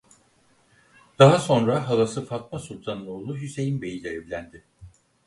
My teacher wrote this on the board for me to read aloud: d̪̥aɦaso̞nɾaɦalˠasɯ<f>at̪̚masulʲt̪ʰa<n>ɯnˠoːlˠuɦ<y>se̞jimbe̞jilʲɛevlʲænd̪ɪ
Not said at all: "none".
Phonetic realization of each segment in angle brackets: f, n, y

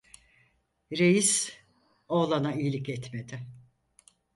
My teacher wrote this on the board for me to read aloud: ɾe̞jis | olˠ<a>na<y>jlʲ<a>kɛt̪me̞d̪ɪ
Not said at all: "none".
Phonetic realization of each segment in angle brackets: a, i, i

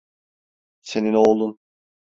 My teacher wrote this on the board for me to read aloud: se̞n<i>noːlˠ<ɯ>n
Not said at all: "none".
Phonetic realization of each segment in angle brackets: i, u

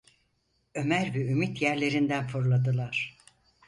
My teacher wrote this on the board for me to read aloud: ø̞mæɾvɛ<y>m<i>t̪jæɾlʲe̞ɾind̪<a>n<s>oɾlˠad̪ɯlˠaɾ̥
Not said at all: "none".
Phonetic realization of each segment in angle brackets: y, i, æ, f

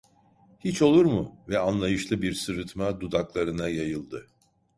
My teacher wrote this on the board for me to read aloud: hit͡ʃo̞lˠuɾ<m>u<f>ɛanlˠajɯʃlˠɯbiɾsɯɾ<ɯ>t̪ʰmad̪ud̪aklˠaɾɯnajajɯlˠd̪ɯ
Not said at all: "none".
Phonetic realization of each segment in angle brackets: m, v, ɯ

